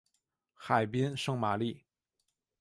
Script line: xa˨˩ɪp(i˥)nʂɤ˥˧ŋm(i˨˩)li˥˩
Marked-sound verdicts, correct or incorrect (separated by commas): correct, incorrect